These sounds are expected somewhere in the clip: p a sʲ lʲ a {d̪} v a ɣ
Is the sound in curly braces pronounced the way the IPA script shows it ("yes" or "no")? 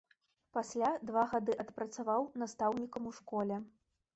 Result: yes